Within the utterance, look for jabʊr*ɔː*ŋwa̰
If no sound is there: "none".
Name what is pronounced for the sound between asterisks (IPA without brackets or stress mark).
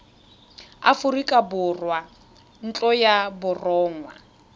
ɔː